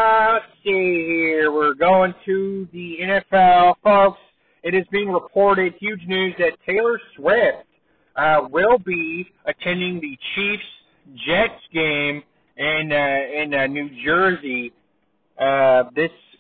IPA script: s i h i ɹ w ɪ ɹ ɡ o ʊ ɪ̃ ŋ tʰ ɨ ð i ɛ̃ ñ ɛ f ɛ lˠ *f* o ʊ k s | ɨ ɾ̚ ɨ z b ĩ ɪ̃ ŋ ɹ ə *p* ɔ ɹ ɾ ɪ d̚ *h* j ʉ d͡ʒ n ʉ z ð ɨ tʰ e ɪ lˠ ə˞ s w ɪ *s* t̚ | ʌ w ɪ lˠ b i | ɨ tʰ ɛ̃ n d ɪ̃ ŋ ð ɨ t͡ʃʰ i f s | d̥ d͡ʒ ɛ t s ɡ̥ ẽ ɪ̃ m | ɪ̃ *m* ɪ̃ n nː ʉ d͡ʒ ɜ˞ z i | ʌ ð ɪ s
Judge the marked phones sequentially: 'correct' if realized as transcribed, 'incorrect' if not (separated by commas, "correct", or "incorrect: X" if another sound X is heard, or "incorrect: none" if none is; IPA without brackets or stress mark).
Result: correct, incorrect: pʰ, correct, incorrect: f, incorrect: n